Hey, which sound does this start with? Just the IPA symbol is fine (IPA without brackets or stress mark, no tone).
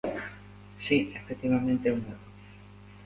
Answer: s